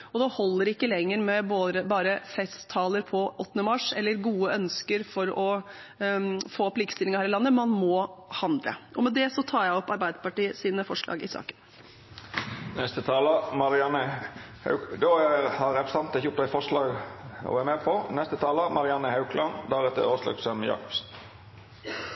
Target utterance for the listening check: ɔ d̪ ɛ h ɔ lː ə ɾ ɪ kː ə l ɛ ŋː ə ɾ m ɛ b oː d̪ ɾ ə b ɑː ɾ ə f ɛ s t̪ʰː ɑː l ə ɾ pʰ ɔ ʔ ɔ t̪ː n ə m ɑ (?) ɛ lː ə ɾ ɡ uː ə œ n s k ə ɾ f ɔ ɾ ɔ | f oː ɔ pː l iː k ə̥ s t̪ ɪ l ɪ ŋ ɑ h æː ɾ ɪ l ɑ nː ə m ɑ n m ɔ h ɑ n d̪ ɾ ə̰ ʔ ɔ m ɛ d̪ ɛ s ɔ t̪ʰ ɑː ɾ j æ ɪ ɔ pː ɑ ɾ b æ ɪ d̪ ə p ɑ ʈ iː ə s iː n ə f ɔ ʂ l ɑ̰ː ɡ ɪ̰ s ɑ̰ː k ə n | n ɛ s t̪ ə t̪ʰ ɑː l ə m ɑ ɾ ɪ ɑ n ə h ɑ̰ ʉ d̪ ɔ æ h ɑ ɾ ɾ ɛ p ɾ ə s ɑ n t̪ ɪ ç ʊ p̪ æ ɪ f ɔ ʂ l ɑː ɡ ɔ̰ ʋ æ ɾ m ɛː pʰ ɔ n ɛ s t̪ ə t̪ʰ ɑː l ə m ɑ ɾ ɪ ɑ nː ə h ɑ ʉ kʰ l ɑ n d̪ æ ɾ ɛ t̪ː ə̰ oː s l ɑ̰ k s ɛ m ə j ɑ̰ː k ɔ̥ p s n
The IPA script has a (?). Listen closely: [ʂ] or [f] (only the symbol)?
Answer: ʂ